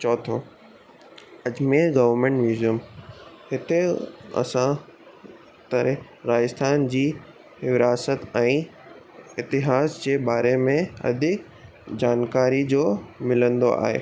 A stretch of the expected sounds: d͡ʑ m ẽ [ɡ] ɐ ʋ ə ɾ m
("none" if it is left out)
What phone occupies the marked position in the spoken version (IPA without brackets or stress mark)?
ɡ